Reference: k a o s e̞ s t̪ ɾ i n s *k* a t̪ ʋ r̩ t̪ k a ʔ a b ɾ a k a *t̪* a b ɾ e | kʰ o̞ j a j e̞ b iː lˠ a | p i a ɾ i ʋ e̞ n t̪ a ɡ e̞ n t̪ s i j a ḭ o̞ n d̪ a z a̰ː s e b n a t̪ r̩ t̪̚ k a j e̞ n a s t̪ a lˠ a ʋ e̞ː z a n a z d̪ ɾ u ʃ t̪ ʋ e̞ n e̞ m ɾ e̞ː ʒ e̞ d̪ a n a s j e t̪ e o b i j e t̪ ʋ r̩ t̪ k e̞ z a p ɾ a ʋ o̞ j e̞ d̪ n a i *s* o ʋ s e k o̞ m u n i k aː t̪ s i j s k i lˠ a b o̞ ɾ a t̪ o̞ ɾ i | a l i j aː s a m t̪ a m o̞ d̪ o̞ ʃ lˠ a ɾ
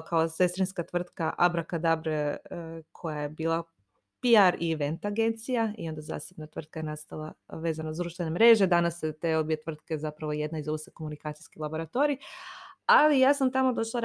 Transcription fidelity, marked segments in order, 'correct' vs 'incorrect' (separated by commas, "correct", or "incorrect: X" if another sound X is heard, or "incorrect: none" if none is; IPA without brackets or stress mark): correct, incorrect: d̪, incorrect: z